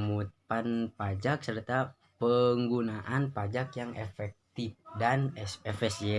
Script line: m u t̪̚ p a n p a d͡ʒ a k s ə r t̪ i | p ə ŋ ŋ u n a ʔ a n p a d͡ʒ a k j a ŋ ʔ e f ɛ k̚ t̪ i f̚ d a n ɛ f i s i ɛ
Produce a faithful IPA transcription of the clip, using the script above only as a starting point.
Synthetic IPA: m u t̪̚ p a n p a d͡ʒ a k s ə r t̪ a | p ə ŋ ɡ u n a ʔ a n p a d͡ʒ a k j a ŋ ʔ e f ɛ k̚ t̪ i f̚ d a n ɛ f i s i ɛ